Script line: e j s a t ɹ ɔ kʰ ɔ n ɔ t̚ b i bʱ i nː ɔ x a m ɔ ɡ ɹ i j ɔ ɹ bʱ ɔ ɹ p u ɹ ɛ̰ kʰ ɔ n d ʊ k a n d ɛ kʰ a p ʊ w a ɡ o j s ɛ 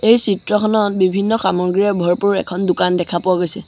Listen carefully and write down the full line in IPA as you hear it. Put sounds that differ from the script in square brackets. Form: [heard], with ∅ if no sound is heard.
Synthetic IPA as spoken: e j s [i] t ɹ ɔ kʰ ɔ n ɔ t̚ b i bʱ i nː ɔ x a m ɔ ɡ ɹ i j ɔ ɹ bʱ ɔ ɹ p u ɹ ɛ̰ kʰ ɔ n d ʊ k a n d ɛ kʰ a p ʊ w a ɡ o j s ɛ